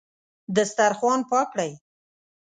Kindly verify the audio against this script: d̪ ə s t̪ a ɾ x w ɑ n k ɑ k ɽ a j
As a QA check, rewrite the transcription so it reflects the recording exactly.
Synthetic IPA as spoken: d̪ ə s t̪ a ɾ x w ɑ n p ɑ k ɽ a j